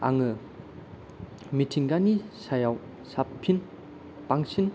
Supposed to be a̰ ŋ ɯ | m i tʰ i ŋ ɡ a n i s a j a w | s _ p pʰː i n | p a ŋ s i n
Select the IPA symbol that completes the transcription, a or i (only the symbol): a